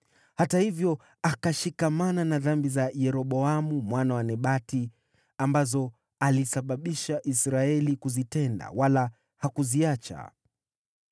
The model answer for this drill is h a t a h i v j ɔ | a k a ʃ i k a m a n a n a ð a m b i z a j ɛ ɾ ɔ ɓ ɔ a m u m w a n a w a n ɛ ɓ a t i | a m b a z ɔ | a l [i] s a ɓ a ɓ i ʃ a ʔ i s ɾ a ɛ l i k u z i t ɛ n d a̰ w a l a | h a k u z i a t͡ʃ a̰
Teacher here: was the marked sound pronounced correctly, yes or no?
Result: yes